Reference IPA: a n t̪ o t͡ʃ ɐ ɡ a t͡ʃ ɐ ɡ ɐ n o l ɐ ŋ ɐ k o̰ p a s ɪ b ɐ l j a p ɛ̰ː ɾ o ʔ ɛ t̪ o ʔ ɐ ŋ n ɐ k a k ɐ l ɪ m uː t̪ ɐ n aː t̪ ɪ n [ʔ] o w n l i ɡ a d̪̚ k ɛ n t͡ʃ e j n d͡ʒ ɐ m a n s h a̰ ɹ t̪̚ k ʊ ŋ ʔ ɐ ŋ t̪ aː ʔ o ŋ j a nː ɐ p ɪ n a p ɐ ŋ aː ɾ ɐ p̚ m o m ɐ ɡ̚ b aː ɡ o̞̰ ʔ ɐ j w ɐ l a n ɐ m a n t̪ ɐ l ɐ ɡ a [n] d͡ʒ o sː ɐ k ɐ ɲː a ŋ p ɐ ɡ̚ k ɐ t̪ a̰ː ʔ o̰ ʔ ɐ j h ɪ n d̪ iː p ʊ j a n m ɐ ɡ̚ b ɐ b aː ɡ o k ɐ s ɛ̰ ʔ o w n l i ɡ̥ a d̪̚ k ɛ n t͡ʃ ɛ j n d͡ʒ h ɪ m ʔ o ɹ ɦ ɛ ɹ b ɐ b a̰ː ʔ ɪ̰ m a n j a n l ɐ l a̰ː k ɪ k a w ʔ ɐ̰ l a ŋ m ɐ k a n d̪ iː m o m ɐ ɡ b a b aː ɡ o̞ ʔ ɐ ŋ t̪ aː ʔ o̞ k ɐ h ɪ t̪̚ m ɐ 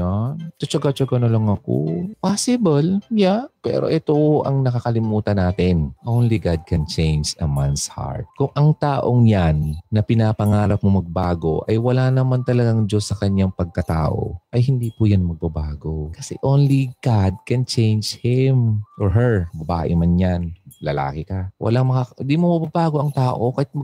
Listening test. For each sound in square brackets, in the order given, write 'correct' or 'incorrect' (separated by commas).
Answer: correct, incorrect